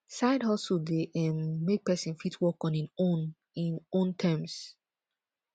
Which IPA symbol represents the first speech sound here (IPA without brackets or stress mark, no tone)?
s